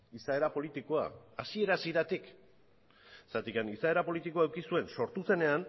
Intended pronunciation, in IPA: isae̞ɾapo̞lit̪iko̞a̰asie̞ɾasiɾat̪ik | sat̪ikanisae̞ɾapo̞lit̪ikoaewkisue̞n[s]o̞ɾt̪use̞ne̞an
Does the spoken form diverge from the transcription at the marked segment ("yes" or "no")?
no